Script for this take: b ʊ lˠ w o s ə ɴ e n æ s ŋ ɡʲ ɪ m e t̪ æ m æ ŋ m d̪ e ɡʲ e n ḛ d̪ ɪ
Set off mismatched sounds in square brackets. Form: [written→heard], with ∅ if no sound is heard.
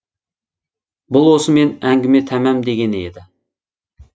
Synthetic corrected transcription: b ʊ lˠ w o s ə [ɴ→m] e n æ [s→∅] ŋ ɡʲ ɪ m e [t̪→t̪ʰ] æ m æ [ŋ→∅] m d̪ e ɡʲ e n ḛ d̪ ɪ

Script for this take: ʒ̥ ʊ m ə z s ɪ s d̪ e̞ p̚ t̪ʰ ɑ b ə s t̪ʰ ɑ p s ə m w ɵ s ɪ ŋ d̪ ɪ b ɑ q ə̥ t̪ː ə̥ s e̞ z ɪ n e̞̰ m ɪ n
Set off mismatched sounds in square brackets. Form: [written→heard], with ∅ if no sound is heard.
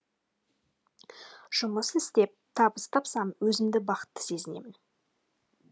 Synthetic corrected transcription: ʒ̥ ʊ m ə [z→∅] s ɪ s [d̪→t̪] e̞ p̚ t̪ʰ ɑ b ə s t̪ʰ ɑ p s [ə→ɑ] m w ɵ [s→z] ɪ [ŋ→m] d̪ ɪ b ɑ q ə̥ t̪ː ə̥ s e̞ z ɪ n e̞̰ m ɪ n

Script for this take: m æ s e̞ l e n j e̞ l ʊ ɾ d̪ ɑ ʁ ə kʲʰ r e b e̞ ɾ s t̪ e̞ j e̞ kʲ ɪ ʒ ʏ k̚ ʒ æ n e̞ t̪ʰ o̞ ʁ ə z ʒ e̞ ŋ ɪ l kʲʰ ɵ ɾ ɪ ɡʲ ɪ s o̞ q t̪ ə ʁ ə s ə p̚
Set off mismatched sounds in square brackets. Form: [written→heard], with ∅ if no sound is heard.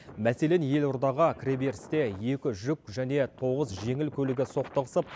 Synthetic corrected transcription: m æ s e̞ l e n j e̞ l ʊ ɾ d̪ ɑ ʁ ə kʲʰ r e b e̞ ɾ s t̪ e̞ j e̞ kʲ ɪ ʒ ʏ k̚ ʒ æ n e̞ t̪ʰ o̞ ʁ ə z ʒ e̞ ŋ ɪ l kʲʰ ɵ [ɾ→l] ɪ ɡʲ ɪ s o̞ q t̪ ə ʁ ə s ə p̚

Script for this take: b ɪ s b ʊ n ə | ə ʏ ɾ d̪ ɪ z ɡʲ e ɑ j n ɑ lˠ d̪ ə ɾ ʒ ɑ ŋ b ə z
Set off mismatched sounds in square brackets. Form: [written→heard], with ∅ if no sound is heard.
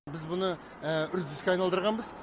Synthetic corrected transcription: b ɪ [s→z] b ʊ n ə | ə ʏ ɾ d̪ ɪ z [ɡʲ→kʲ] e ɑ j n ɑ lˠ d̪ ə ɾ [ʒ→ʁ] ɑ [ŋ→n] b ə z

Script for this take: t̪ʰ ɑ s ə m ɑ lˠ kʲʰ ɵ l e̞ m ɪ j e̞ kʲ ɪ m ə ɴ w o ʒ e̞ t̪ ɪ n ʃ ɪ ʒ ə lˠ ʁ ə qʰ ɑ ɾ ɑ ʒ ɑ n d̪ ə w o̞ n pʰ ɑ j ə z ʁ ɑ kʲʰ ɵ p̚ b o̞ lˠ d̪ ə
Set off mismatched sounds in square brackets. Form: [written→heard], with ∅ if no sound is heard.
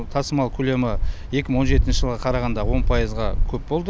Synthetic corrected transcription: t̪ʰ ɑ s ə m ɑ lˠ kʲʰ ɵ l e̞ m ɪ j e̞ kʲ ɪ m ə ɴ w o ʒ e̞ t̪ ɪ n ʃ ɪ ʒ ə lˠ ʁ [ə→ɑ] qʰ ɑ ɾ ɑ [ʒ→ʁ] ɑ n d̪ [ə→ɑ] w o̞ n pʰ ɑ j ə z ʁ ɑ kʲʰ ɵ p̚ b o̞ lˠ d̪ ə

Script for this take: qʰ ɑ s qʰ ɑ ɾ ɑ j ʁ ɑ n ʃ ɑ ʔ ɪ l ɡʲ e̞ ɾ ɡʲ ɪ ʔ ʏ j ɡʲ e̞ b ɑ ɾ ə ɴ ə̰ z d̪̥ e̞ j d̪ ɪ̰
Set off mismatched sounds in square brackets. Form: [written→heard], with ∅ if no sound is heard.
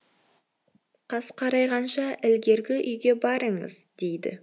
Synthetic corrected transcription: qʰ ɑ s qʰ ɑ ɾ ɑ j ʁ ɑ n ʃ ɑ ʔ ɪ l ɡʲ e̞ ɾ ɡʲ ɪ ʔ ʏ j ɡʲ e̞ b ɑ ɾ ə ɴ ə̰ z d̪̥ e̞ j d̪ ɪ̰

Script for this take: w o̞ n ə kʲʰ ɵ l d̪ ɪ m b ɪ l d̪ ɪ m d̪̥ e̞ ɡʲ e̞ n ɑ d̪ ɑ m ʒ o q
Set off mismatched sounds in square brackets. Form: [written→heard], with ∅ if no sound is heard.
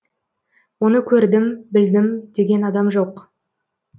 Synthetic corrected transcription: w o̞ n ə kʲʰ ɵ [l→ɾ] d̪ ɪ m b ɪ l d̪ ɪ m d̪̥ e̞ ɡʲ e̞ n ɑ d̪ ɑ m ʒ o q

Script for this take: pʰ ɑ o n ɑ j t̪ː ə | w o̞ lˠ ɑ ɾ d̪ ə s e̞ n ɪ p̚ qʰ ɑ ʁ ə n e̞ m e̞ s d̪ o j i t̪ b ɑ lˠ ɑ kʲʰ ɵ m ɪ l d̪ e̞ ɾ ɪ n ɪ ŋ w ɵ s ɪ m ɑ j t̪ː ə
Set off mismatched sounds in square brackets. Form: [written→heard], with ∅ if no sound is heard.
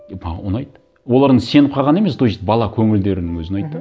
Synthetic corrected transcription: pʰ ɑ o n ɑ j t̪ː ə | w o̞ lˠ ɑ ɾ d̪ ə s e̞ n ɪ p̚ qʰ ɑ ʁ [ə→ɑ] n e̞ m e̞ s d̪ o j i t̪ b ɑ lˠ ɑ kʲʰ ɵ [m→ŋ] ɪ l d̪ e̞ ɾ ɪ n ɪ ŋ w ɵ [s→z] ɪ [m→n] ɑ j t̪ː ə

